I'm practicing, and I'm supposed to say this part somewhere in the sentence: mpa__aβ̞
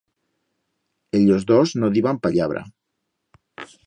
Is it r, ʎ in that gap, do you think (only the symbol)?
ʎ